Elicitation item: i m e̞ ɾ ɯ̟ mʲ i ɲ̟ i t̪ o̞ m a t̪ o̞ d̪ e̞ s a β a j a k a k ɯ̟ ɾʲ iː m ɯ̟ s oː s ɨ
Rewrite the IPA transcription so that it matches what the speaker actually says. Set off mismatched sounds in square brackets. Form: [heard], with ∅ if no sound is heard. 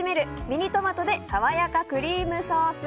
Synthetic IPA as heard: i m e̞ ɾ ɯ̟ mʲ i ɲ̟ i t̪ o̞ m a t̪ o̞ d̪ e̞ s a β a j a k a k ɯ̟ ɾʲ iː m ɯ̟ s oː s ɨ